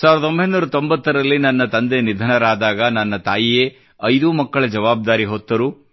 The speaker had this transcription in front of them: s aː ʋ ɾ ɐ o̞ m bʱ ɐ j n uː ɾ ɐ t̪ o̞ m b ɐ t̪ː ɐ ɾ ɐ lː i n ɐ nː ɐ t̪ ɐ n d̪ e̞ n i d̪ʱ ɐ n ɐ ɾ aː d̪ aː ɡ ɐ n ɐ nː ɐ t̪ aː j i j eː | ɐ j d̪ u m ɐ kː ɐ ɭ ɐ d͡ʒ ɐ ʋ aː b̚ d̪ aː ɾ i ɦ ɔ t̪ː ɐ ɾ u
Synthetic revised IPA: s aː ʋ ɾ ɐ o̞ m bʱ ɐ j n uː ɾ ɐ t̪ o̞ m b ɐ t̪ː ɐ ɾ ɐ lː i n ɐ nː ɐ t̪ ɐ n d̪ e̞ n i d̪ʱ ɐ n ɐ ɾ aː d̪ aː ɡ ɐ n ɐ nː ɐ t̪ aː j i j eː | ɐ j d̪ u m ɐ kː ɐ ɭ ɐ d͡ʒ ɐ ʋ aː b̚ d̪ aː ɾ i ɦ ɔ t̪ː ɐ ɾ u

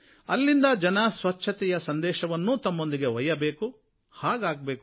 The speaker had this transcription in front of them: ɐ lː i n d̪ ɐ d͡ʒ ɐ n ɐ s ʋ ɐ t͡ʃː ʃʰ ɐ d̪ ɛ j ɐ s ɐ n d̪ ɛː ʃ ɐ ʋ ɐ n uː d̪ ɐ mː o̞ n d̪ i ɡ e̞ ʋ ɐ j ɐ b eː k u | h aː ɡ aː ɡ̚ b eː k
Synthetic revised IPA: ɐ lː i n d̪ ɐ d͡ʒ ɐ n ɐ s ʋ ɐ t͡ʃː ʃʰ ɐ t̪ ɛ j ɐ s ɐ n d̪ ɛː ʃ ɐ ʋ ɐ nː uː t̪ ɐ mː o̞ n d̪ i ɡ e̞ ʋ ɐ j ɐ b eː k u | h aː ɡ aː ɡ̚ b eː k

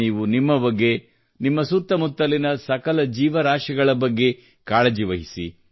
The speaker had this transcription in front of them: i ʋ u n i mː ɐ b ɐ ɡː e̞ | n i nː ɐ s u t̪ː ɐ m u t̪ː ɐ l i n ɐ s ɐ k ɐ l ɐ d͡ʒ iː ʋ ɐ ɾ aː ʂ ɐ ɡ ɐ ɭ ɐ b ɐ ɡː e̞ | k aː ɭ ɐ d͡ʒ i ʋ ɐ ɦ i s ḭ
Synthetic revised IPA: iː ʋ u n i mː ɐ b ɐ ɡː e̞ | n i mː ɐ s u t̪ː ɐ m u t̪ː ɐ l i n ɐ s ɐ k ɐ l ɐ d͡ʒ iː ʋ ɐ ɾ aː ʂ ɐ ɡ ɐ ɭ ɐ b ɐ ɡː e̞ | k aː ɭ ɐ d͡ʒ i ʋ ɐ ɦ i s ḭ

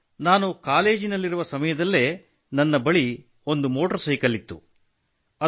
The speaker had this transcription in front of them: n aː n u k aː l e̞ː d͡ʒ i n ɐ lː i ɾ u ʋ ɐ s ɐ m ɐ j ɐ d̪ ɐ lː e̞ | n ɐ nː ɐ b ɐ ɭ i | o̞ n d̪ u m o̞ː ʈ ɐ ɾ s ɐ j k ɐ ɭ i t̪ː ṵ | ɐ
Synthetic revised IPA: n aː n u k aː l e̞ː d͡ʒ i n ɐ lː i ɾ u ʋ ɐ s ɐ m ɐ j ɐ d̪ ɐ lː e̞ | n ɐ nː ɐ b ɐ ɭ i | o̞ n d̪ u m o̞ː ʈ ɐ ɾ s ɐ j k ɐ l i t̪ː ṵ | ɐ

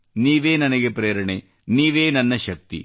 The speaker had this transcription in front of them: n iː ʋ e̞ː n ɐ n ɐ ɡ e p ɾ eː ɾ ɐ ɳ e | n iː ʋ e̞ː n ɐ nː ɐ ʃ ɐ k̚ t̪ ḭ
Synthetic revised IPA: n iː ʋ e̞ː n ɐ n ɐ ɡ e p ɾ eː ɾ ɐ ɳ e | n iː ʋ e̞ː n ɐ nː ɐ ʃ ɐ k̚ t̪ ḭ

